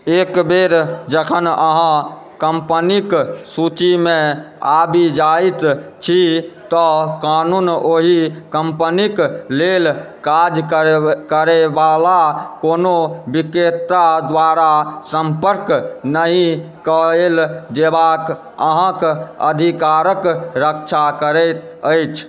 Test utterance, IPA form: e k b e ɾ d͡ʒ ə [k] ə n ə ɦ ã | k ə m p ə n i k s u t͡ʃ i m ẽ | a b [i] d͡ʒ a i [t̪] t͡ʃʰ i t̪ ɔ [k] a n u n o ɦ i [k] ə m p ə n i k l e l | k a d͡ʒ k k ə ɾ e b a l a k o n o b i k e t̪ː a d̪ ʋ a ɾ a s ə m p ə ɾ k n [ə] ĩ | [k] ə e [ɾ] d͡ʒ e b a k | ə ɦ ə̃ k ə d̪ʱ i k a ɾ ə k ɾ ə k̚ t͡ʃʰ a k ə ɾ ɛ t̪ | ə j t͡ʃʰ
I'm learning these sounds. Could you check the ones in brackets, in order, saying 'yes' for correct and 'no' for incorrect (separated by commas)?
no, yes, yes, yes, yes, yes, yes, no